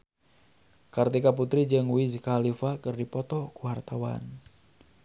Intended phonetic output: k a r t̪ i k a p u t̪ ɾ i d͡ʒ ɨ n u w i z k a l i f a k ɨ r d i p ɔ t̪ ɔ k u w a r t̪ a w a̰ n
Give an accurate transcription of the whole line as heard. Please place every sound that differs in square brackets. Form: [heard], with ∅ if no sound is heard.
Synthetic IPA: k a r t̪ i k a p u t̪ ɾ i d͡ʒ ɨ [ŋ] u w i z k a l i f a k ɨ r d i p ɔ t̪ ɔ k u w a r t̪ a w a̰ n